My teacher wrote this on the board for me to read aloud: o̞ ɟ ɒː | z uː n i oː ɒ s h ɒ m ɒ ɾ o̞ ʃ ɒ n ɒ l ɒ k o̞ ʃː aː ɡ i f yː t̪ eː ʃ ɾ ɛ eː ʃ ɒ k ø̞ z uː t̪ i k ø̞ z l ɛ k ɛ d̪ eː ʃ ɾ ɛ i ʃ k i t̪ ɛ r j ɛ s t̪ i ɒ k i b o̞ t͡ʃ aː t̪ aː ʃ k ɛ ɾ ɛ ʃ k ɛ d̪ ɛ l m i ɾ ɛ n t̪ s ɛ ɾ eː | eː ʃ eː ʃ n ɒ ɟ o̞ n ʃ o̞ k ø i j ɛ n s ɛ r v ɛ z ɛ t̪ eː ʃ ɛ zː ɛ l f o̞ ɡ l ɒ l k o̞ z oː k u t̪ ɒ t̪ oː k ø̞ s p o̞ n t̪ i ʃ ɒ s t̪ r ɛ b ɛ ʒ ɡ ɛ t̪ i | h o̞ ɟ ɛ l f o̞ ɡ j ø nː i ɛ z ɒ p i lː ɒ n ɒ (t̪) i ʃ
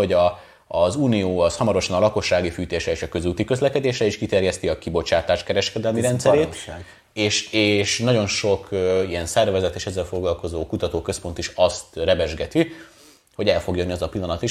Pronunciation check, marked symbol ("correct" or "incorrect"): correct